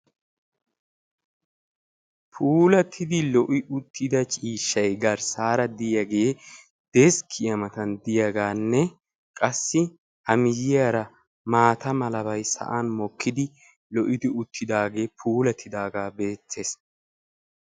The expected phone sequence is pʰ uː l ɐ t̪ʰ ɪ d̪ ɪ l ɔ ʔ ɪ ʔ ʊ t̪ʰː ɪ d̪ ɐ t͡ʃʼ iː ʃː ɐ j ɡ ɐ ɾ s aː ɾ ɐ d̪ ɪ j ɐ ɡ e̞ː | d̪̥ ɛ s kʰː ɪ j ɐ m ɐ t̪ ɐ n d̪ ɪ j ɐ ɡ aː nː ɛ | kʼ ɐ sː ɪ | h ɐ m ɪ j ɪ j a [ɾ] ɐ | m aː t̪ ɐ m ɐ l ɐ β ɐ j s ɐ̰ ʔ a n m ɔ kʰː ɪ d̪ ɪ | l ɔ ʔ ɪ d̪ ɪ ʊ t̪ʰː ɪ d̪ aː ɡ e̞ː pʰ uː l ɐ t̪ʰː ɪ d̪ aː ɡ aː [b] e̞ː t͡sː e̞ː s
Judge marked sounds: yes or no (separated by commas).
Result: yes, yes